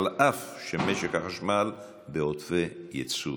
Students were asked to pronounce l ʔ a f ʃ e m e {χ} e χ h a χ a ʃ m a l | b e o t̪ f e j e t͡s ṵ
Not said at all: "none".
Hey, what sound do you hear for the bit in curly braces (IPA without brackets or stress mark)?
ʃ